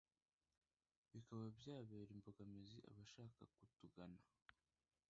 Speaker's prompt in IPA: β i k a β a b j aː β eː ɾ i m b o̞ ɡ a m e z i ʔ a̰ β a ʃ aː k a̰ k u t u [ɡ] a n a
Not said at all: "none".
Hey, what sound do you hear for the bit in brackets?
ɡ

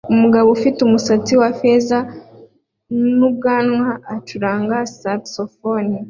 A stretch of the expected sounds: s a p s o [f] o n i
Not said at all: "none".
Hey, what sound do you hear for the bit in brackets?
f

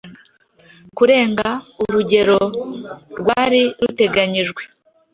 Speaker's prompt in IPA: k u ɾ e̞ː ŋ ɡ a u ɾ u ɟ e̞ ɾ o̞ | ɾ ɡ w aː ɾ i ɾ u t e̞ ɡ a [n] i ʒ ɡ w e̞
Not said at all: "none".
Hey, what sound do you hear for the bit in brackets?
ɲ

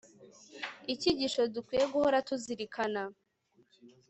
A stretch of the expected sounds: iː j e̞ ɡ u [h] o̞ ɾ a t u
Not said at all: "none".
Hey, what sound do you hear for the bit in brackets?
h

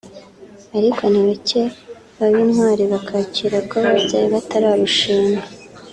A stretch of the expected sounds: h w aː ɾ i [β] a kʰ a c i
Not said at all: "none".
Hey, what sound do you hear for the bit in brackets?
β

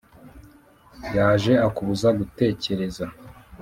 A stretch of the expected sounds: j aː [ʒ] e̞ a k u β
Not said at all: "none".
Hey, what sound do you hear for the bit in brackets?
ʒ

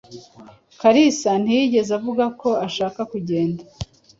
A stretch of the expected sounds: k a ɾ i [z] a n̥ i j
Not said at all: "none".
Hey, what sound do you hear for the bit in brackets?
s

